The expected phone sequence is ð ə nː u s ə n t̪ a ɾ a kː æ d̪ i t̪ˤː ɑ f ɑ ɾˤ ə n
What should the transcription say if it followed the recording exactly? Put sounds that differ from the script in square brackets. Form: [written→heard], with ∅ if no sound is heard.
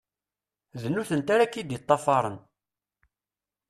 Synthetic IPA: ð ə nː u [s→θ] ə n t̪ a ɾ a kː [æ→i] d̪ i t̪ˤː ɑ f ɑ ɾˤ ə n

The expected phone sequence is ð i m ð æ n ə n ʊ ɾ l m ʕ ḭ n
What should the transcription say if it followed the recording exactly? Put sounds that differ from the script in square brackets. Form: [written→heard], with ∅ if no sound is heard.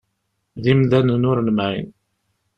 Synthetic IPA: ð i m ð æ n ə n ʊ ɾ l m ʕ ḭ n

